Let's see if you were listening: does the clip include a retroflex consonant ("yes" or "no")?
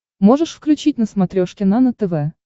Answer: yes